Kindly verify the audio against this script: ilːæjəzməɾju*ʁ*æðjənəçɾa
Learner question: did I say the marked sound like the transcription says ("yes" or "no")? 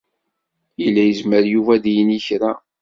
no